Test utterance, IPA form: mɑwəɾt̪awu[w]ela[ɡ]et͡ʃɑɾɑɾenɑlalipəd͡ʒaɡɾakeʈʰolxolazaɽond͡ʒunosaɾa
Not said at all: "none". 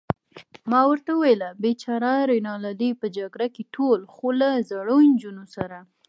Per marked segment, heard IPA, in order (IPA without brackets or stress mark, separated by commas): w, b